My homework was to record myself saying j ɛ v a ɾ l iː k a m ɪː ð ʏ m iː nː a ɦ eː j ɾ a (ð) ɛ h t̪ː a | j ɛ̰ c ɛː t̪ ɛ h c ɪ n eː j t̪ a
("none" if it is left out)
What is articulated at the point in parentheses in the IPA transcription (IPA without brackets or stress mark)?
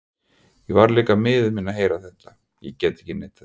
θ